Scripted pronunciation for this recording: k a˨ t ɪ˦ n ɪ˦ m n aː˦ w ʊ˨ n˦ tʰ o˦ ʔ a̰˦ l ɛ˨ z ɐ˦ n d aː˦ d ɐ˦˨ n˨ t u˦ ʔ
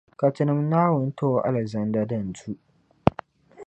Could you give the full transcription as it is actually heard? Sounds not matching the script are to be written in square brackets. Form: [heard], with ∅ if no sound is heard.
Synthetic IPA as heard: k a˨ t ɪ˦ n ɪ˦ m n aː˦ w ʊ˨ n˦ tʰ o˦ ʔ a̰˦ l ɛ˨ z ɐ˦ n d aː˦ d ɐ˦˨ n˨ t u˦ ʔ